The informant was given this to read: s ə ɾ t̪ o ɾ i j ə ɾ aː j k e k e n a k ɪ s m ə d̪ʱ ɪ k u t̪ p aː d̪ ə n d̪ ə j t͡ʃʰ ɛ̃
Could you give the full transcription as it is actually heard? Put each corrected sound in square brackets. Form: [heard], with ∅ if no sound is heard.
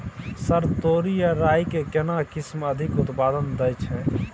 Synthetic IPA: s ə ɾ t̪ o ɾ i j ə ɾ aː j k e k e n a k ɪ s m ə d̪ʱ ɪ k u t̪ p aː d̪ ə n d̪ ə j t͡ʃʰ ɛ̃